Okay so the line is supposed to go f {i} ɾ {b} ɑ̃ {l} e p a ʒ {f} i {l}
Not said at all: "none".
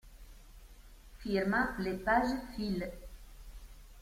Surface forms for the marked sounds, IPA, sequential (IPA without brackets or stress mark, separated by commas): i, m, l, f, l